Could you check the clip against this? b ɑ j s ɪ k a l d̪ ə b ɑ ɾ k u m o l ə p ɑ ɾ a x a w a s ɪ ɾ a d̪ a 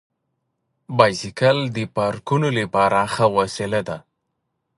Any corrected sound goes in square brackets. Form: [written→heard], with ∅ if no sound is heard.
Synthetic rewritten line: b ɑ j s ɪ k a l d̪ ə [b→p] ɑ ɾ k u [m→n] o l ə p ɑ ɾ a x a w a s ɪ [ɾ→l] a d̪ a